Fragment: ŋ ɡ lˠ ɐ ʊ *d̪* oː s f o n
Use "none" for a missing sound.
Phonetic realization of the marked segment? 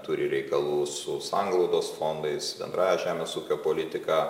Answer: d̪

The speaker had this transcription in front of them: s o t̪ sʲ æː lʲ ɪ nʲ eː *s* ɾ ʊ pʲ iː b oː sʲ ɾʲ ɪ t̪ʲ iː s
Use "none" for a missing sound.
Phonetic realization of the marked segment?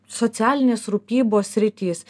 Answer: s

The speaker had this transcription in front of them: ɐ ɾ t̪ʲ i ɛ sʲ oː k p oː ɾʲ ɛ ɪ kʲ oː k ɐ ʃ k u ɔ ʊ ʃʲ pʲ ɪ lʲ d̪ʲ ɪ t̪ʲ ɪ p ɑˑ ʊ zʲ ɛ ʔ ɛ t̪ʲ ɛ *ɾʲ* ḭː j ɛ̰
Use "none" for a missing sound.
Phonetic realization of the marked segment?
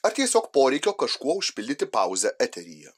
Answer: ɾʲ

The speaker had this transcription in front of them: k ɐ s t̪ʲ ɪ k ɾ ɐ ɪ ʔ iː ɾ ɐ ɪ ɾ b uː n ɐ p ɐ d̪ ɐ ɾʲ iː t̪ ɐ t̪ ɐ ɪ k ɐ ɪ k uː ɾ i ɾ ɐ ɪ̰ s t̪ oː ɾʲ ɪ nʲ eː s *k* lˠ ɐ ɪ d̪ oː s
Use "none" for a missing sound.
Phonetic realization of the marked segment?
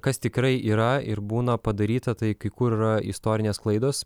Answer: k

